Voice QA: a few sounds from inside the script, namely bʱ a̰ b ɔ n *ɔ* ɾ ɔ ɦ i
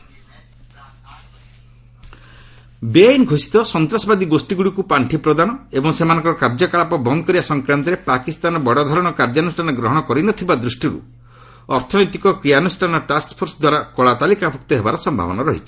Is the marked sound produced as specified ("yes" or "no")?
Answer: yes